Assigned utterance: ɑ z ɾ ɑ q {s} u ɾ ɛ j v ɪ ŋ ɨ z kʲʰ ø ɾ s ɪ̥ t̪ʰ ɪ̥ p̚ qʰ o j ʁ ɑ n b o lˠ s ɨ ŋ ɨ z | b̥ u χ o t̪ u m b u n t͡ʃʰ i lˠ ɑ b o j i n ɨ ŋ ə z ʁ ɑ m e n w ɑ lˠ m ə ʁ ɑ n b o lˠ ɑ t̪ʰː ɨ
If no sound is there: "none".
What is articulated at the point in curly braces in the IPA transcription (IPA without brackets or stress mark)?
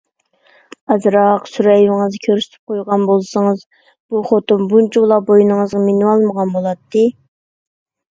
s